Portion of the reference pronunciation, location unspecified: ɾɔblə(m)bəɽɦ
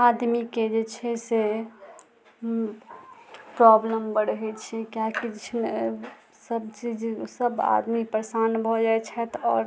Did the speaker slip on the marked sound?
no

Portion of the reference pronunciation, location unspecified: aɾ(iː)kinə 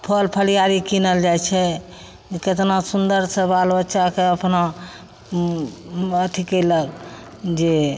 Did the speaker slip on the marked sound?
yes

